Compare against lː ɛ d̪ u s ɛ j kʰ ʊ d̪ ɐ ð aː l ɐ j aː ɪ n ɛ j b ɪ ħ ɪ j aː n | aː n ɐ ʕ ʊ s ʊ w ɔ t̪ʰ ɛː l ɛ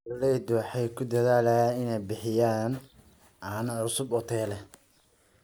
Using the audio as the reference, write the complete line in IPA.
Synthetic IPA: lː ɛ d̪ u ħ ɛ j kʰ ʊ d̪ ɐ ð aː l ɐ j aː ɪ n ɛ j b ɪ ħ ɪ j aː n | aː n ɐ ʕ ʊ s ʊ b ɔ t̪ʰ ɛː l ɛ